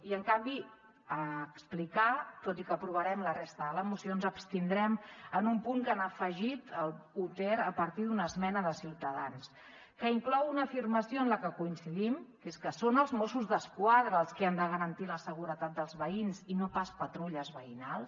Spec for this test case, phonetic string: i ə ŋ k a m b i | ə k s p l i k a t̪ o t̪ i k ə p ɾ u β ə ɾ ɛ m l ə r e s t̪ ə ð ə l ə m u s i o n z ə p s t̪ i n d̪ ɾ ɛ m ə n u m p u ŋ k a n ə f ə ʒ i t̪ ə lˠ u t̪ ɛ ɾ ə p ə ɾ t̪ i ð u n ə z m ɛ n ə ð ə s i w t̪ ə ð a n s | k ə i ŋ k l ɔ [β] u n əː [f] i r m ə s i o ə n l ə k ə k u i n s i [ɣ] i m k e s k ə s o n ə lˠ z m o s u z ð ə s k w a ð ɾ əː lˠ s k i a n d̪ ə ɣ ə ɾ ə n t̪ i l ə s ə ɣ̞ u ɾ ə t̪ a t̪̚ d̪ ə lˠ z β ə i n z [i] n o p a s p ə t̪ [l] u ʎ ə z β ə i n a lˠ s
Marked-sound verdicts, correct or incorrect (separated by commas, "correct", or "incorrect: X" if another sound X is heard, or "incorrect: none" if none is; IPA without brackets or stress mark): incorrect: w, correct, incorrect: ð, correct, incorrect: ɾ